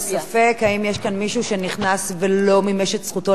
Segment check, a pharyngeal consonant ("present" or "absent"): absent